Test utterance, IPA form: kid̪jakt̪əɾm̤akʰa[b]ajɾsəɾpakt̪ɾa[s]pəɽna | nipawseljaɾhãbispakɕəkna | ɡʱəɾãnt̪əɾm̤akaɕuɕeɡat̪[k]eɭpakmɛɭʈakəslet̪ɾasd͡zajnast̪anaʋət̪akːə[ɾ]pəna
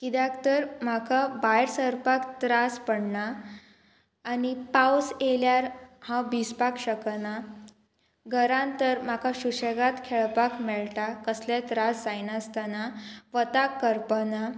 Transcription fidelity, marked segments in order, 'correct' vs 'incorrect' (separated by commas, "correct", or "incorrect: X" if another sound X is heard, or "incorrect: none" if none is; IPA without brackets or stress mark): correct, correct, incorrect: kʰ, correct